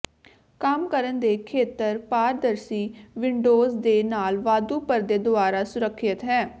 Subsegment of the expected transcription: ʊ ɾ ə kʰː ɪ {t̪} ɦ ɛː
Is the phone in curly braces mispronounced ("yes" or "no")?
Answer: no